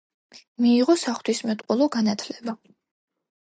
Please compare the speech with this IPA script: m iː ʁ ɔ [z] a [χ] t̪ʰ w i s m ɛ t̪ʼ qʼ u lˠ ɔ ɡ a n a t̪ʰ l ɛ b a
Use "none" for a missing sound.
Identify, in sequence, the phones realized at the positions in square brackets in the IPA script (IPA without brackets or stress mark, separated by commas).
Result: s, χ